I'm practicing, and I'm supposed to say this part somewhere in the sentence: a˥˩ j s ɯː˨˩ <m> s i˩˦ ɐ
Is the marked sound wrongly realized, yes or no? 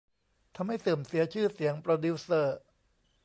no